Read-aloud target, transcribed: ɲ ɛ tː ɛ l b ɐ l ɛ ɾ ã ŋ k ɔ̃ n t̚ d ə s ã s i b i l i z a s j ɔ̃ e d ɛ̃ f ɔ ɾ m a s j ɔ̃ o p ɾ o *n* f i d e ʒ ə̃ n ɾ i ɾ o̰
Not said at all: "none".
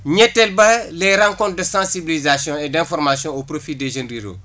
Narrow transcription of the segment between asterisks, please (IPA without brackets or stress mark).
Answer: none